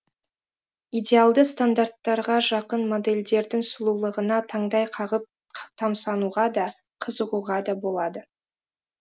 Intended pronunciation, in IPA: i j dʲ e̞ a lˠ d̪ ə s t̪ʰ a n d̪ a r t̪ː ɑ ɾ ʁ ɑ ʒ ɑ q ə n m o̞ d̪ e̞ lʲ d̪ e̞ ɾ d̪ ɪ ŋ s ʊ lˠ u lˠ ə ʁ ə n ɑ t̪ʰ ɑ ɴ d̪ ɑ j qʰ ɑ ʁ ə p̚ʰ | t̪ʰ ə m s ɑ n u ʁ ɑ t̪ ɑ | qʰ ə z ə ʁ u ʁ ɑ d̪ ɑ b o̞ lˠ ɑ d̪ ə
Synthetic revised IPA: i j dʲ e̞ a lˠ d̪ ə s t̪ a n d̪ a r t̪ː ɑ ɾ ʁ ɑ ʒ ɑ q ə n m o̞ d̪ e̞ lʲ d̪ e̞ ɾ d̪ ɪ ŋ s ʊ lˠ u lˠ ə ʁ ə n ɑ t̪ʰ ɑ ɴ d̪ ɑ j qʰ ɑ ʁ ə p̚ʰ | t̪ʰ ɑ m s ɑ n u ʁ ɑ d̪ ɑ | qʰ ə z ə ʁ u ʁ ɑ d̪ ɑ b o̞ lˠ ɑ d̪ ə